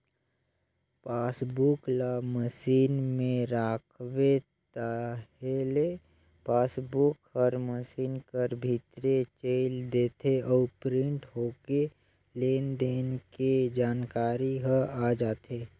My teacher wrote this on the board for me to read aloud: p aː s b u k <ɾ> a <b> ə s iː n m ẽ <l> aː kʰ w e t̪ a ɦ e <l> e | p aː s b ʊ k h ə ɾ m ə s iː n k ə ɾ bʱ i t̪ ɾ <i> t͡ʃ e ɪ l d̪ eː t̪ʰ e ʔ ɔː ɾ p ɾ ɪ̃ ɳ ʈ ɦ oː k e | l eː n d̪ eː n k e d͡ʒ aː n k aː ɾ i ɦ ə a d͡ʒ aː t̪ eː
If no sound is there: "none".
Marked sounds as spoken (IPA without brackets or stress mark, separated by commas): l, m, ɾ, l, e